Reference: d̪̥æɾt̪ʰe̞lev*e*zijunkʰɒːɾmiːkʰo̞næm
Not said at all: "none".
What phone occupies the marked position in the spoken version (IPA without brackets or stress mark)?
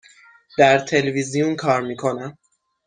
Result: i